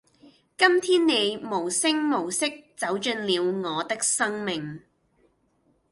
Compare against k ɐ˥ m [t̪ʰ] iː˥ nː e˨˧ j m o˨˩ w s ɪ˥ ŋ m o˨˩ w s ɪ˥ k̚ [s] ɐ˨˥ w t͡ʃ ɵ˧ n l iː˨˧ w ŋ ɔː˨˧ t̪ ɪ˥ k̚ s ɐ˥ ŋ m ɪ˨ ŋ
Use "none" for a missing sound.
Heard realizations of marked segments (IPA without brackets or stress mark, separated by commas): t̪ʰ, t͡s